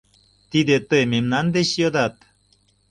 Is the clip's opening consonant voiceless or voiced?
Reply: voiceless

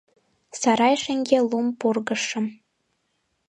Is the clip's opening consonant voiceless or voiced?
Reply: voiceless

